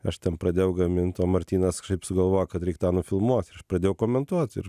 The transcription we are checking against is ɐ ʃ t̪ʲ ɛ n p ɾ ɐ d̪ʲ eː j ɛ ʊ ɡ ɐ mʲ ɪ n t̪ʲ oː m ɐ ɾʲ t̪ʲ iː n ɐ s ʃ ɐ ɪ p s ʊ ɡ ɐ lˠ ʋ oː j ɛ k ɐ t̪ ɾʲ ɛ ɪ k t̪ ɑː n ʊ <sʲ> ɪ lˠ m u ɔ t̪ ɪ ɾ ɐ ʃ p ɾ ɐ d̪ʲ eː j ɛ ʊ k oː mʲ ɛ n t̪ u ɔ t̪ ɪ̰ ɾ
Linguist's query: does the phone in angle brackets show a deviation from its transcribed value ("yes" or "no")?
yes